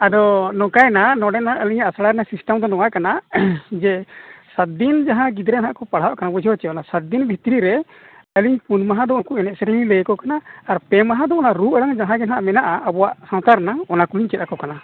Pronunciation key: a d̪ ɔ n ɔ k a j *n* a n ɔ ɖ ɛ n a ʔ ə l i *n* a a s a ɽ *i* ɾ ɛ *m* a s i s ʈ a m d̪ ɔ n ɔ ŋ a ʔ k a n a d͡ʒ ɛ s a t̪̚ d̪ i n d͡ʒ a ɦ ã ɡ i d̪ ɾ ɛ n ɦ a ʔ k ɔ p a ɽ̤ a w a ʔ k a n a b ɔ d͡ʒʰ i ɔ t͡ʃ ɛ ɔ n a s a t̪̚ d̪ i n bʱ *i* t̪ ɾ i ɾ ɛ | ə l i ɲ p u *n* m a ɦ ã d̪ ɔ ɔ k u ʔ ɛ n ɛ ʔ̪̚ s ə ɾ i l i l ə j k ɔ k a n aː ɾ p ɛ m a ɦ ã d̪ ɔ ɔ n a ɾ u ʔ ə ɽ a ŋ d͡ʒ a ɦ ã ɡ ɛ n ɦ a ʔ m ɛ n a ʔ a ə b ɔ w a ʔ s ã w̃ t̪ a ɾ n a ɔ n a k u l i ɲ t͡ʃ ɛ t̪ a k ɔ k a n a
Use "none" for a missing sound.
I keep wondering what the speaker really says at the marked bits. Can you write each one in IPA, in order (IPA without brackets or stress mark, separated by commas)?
n, ɲ, a, n, i, n